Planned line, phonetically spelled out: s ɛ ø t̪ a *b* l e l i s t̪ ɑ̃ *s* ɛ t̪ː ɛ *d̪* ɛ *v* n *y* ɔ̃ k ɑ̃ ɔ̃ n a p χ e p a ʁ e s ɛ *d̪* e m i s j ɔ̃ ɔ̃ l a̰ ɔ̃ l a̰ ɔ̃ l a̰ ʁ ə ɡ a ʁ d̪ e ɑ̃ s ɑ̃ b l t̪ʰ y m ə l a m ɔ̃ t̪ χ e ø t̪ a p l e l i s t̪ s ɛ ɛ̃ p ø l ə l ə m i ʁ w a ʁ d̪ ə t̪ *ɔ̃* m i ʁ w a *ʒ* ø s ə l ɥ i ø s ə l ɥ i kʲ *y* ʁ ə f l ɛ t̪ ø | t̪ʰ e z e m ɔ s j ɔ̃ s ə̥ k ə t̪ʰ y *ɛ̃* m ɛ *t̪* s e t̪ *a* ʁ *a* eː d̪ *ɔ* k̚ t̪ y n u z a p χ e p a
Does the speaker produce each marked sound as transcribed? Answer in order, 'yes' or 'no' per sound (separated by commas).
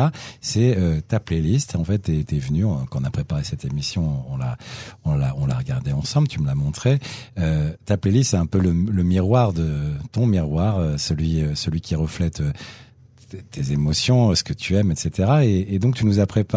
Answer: no, no, no, yes, yes, no, yes, no, no, no, yes, no, yes, no